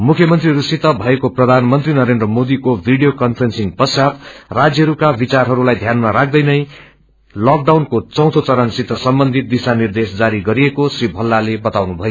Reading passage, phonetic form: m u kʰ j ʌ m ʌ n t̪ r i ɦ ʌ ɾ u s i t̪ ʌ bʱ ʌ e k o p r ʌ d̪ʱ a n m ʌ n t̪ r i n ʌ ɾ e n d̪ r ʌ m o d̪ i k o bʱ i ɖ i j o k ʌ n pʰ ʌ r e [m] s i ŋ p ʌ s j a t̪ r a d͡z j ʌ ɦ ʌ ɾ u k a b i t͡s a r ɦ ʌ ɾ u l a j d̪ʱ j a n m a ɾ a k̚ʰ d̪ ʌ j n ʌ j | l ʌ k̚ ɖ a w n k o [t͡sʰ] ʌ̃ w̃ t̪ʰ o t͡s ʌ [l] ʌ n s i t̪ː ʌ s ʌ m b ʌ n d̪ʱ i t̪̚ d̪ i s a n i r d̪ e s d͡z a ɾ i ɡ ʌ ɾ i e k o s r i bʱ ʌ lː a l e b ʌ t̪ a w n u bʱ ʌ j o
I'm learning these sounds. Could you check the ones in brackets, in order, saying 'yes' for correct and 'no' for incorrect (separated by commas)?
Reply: no, no, no